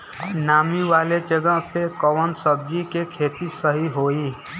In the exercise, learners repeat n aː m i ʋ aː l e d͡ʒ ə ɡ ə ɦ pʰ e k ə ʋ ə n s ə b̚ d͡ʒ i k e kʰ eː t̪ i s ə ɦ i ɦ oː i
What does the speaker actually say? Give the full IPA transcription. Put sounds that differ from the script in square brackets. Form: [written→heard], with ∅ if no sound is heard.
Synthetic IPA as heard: n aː m i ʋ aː l e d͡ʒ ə ɡ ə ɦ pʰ e k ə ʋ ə n s ə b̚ d͡ʒ i k e kʰ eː t̪ i s ə ɦ i ɦ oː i

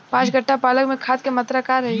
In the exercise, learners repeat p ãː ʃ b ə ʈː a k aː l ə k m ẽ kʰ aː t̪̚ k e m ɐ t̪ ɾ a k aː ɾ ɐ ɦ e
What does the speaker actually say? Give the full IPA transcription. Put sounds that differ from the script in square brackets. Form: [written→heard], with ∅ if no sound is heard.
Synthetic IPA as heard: p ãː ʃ [b→ɡ] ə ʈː a [k→p] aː l ə k m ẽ kʰ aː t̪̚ k e m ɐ t̪ ɾ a k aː ɾ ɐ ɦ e

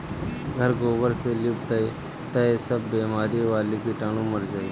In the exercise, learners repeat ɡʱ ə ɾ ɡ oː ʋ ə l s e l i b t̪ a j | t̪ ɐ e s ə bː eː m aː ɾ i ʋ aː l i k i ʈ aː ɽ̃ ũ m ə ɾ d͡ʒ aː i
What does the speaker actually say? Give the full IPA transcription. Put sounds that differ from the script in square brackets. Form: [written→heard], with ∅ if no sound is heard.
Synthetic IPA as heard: ɡʱ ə ɾ ɡ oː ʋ ə [l→ɾ] s e l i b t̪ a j | t̪ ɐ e s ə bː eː m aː ɾ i ʋ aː l i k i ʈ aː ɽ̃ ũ m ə ɾ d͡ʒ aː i

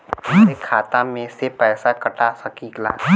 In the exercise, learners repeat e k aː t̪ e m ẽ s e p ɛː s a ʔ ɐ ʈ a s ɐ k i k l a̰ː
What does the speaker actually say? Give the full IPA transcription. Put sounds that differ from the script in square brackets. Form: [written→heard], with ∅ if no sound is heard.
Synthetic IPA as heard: e [k→kʰ] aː t̪ [e→a] m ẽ s e p ɛː s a [ʔ→k] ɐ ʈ a s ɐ k i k l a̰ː

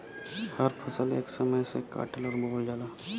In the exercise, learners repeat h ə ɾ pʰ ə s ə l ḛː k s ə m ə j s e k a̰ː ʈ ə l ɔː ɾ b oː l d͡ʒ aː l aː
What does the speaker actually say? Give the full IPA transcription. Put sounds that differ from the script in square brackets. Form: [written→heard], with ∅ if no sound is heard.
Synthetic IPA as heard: h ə ɾ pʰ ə s ə l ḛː k s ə m ə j s e k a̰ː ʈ ə l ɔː ɾ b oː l d͡ʒ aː l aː

